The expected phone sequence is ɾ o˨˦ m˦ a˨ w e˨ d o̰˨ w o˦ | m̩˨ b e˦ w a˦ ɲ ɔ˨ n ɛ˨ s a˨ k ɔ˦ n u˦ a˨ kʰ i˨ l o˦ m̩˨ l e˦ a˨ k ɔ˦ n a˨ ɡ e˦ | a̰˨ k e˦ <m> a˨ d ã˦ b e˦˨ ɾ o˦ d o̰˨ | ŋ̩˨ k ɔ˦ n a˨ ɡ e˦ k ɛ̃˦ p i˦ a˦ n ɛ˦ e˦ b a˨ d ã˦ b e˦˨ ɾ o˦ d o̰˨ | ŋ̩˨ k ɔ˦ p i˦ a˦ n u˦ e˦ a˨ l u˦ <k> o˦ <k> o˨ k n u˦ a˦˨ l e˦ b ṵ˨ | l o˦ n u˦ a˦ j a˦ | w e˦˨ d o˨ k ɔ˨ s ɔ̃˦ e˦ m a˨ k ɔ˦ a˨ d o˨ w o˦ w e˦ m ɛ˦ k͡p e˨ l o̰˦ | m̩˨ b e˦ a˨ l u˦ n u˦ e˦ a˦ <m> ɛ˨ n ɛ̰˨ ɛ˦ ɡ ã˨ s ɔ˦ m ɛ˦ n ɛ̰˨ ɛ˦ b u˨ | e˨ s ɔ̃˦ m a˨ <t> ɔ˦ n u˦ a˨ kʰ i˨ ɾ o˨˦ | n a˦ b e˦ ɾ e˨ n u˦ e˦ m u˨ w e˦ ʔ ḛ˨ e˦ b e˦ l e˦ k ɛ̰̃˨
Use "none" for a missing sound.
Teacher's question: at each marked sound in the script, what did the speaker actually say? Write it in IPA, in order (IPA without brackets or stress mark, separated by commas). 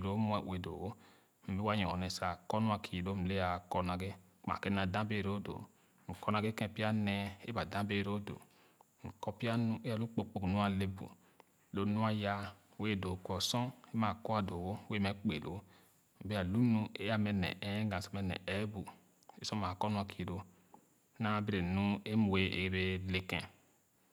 n, k͡p, k͡p, m, k